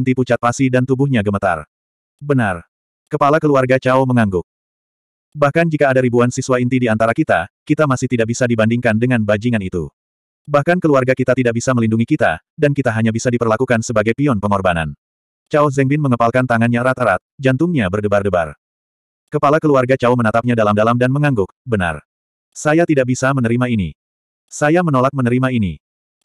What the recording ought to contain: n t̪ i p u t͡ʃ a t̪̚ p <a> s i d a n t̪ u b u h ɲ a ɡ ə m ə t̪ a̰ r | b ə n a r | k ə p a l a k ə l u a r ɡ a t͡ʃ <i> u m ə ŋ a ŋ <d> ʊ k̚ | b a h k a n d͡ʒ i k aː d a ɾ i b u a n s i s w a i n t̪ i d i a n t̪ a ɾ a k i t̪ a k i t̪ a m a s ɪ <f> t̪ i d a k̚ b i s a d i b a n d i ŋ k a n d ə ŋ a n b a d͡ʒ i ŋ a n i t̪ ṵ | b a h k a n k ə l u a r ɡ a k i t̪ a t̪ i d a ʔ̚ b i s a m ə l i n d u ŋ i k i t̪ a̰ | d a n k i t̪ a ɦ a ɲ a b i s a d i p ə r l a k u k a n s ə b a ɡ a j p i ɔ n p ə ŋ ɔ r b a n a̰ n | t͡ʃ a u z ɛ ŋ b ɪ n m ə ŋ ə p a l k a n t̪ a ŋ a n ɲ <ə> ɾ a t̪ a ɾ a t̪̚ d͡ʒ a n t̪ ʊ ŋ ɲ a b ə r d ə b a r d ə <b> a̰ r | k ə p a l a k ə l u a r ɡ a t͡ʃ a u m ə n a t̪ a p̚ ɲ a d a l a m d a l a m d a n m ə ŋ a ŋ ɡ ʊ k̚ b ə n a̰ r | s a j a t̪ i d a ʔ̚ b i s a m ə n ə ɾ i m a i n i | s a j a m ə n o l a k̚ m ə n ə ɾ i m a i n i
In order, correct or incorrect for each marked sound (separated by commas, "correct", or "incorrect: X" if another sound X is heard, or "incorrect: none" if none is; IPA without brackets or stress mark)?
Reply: correct, incorrect: a, incorrect: ɡ, incorrect: h, incorrect: a, correct